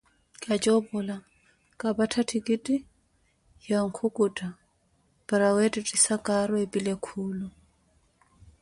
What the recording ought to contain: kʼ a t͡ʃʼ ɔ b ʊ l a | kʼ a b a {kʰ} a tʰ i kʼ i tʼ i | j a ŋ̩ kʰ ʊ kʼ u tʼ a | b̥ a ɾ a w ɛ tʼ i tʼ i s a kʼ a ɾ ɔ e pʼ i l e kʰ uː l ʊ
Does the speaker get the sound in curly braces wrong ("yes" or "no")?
yes